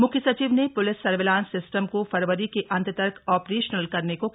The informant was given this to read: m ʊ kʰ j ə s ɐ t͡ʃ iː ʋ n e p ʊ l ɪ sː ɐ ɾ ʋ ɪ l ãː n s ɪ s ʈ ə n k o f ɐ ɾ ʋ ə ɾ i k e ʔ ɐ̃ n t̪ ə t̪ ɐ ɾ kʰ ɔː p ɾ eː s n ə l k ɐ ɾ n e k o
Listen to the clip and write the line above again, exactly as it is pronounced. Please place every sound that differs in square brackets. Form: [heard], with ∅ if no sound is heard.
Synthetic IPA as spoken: m ʊ kʰ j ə s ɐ t͡ʃ iː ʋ n e p ʊ l ɪ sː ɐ ɾ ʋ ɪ l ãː n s ɪ s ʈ ə [m] k o f ɐ ɾ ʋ ə ɾ i k e ʔ ɐ̃ n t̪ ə t̪ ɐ ɾ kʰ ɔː p ɾ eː [ʃ] n ə l k ɐ ɾ n e k o